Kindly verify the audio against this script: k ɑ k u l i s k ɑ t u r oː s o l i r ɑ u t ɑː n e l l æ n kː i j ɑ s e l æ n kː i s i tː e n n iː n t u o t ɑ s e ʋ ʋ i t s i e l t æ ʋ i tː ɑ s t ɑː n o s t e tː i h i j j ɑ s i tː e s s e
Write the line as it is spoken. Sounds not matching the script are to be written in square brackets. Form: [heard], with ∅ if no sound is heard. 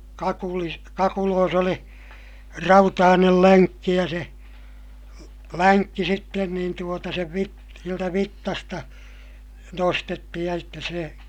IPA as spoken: k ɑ k u l i s k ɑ [k] u [l] oː s o l i r ɑ u t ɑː n e l l æ [ŋ] kː i j ɑ s e l æ n kː i s i tː e n n iː n t u o t ɑ s e ʋ ʋ i t s i e l t æ ʋ i tː ɑ s t [ɑ] n o s t e tː i h i j j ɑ s i tː e s s e